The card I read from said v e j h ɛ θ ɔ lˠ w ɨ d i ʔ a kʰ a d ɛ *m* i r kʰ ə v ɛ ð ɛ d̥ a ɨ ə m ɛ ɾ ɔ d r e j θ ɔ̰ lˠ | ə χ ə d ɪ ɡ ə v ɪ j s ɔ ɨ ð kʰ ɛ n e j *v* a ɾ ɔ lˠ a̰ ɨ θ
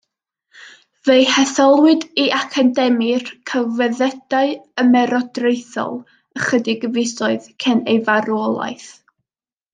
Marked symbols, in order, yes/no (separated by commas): yes, yes